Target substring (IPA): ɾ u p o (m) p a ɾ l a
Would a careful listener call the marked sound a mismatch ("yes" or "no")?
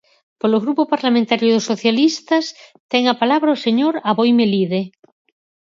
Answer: yes